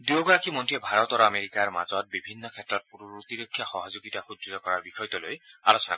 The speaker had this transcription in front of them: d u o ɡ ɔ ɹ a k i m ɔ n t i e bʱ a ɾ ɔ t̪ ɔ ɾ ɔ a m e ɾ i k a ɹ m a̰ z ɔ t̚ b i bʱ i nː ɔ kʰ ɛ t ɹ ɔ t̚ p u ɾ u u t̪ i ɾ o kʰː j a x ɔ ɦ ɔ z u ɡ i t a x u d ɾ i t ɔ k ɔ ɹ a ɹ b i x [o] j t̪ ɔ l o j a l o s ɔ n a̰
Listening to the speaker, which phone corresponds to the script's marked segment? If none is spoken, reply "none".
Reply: ɔ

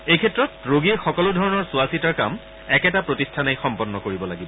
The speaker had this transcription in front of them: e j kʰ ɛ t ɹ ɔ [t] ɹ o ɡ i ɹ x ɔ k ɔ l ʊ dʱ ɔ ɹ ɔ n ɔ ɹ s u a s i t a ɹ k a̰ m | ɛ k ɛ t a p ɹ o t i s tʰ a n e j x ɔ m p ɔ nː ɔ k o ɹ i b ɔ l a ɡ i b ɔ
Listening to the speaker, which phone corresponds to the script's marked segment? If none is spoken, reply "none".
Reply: t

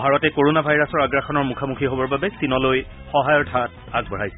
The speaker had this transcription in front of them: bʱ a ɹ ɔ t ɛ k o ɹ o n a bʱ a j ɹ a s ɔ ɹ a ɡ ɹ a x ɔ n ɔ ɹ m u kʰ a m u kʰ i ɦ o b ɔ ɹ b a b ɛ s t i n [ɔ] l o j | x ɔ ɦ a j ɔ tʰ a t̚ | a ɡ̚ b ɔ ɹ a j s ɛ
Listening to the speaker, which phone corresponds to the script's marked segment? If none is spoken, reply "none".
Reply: ɔ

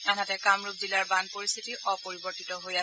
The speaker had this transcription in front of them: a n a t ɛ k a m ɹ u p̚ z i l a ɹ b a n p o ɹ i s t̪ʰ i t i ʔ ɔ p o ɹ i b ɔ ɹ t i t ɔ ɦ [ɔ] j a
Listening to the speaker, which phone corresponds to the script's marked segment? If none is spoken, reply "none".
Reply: o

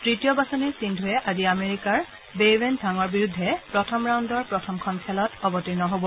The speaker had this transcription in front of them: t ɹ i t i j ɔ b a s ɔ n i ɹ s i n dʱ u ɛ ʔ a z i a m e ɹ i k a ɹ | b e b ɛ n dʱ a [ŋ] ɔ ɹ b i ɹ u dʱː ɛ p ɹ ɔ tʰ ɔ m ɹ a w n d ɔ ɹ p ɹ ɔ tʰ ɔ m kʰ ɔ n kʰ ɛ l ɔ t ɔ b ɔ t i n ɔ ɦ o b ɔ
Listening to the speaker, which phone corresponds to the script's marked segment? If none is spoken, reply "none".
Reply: ŋ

